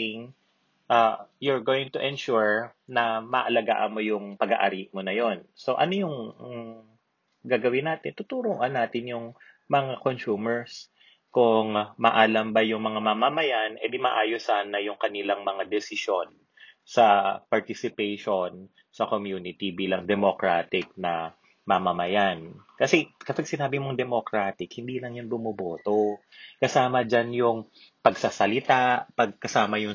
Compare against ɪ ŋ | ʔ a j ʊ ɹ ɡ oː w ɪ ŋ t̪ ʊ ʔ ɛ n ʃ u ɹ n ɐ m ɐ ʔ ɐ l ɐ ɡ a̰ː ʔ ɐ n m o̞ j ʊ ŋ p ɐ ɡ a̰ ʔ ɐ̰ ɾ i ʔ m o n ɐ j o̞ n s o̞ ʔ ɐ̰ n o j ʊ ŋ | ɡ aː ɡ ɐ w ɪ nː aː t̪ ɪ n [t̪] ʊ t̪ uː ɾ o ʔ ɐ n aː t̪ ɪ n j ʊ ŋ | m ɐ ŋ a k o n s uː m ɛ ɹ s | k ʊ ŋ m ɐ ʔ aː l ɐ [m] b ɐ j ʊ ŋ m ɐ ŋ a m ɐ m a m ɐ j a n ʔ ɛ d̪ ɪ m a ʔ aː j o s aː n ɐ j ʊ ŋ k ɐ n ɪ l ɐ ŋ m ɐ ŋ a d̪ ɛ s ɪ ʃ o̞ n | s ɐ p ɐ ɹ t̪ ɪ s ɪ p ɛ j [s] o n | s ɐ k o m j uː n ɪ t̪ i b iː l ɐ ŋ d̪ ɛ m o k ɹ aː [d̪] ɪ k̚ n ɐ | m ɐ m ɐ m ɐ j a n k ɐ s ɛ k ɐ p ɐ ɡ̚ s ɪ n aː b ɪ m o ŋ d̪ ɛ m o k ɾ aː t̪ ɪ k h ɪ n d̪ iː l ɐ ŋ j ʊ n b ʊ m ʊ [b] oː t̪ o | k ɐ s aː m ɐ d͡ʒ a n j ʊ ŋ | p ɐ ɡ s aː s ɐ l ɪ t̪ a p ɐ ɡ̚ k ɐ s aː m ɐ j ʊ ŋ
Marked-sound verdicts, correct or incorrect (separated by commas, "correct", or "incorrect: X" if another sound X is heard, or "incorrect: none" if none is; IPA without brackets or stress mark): correct, correct, incorrect: ʃ, incorrect: t̪, correct